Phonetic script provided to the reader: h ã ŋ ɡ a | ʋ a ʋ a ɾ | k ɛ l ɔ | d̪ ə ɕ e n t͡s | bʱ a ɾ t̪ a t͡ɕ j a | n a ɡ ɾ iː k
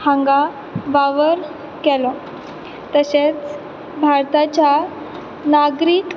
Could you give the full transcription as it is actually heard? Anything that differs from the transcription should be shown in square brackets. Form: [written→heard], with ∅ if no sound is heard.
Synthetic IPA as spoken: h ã ŋ ɡ a | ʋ a ʋ [a→ə] ɾ | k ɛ l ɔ | [d̪→t̪] ə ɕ e [n→∅] t͡s | bʱ a ɾ t̪ a t͡ɕ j a | n a ɡ ɾ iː k